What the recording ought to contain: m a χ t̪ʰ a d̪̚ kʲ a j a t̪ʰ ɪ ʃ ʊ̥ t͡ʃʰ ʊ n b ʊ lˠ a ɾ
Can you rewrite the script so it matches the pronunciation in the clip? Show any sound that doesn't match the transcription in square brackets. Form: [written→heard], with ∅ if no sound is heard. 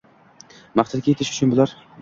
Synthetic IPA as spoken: m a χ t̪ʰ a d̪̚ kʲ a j [a→e] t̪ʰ ɪ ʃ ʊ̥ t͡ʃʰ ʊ n b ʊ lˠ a ɾ